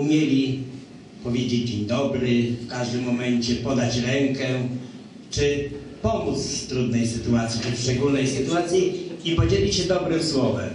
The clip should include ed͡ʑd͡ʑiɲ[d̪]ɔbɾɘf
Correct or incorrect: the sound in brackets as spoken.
correct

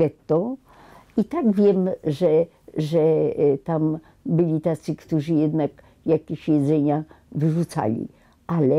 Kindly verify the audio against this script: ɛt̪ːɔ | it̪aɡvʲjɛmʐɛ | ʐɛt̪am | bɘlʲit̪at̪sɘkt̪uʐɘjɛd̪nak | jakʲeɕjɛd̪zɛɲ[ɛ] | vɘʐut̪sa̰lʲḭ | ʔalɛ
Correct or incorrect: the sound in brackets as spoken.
incorrect: a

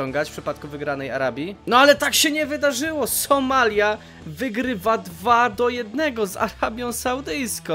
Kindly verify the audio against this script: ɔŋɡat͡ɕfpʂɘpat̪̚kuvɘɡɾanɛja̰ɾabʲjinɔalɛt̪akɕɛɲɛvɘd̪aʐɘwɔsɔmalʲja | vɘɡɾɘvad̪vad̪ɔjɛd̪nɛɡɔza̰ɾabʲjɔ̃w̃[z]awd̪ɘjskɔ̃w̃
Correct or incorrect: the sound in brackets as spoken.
incorrect: s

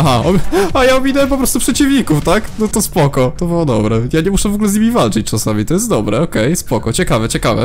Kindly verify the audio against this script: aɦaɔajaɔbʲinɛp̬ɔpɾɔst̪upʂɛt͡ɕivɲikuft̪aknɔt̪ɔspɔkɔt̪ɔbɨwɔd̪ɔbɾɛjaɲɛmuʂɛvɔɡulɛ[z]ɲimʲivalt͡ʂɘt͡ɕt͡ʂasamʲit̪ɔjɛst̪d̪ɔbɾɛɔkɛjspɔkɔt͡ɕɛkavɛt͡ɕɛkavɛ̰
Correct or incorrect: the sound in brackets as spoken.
correct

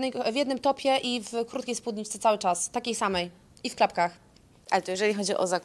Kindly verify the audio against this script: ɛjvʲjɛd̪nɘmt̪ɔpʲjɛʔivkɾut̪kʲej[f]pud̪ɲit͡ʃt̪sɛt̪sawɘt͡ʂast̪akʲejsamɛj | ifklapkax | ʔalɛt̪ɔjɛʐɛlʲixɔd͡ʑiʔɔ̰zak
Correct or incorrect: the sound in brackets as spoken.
incorrect: s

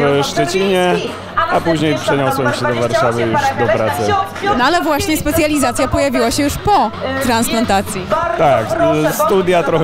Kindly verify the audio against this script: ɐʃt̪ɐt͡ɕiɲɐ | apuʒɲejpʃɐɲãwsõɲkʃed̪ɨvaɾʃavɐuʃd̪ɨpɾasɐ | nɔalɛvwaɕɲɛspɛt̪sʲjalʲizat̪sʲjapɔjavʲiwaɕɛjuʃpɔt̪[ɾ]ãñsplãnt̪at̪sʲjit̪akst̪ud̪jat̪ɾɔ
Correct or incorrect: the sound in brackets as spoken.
correct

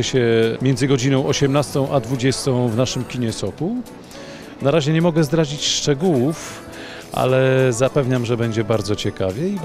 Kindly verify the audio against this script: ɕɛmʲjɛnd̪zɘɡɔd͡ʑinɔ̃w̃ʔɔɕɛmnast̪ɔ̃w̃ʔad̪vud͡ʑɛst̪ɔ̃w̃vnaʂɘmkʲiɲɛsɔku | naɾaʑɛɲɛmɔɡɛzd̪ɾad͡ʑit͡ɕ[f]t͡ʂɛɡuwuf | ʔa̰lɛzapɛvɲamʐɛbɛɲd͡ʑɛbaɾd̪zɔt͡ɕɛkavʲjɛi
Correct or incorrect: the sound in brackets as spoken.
incorrect: ʂ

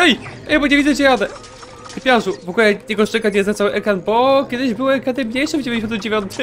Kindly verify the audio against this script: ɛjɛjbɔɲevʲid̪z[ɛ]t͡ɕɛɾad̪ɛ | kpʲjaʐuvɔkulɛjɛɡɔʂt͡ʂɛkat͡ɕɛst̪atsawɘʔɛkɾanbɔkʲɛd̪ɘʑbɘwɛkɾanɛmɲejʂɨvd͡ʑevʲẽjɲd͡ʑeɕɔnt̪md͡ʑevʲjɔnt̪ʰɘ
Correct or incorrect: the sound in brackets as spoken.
correct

